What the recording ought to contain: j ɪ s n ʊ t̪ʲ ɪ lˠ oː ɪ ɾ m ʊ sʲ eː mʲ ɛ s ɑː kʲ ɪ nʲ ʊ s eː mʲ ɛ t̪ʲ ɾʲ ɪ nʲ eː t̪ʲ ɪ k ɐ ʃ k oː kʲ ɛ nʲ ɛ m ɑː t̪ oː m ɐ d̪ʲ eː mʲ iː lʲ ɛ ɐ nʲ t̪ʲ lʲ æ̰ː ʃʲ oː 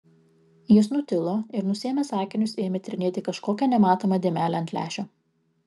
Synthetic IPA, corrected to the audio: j ɪ s n ʊ t̪ʲ ɪ lˠ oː ɪ ɾ n ʊ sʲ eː mʲ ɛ s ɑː kʲ ɪ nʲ ʊ s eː mʲ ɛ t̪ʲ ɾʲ ɪ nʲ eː t̪ʲ ɪ k ɐ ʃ k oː kʲ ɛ nʲ ɛ m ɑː t̪ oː m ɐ d̪ʲ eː mʲ æː lʲ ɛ ɐ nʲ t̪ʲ lʲ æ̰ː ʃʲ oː